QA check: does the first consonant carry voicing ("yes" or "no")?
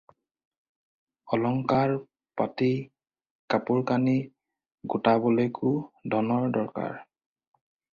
yes